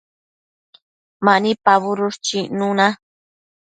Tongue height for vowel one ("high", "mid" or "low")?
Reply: low